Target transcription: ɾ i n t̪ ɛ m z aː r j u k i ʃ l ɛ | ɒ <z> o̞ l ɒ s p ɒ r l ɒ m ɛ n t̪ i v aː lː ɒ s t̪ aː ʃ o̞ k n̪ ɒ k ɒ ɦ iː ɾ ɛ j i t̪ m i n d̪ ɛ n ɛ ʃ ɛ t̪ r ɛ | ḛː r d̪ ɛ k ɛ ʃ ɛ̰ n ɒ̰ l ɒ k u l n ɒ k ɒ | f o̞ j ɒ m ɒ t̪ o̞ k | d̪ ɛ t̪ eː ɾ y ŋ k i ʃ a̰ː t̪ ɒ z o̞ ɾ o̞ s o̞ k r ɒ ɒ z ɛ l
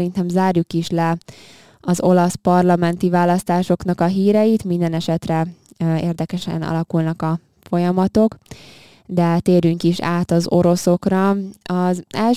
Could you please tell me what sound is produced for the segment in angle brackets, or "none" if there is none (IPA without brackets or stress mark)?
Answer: z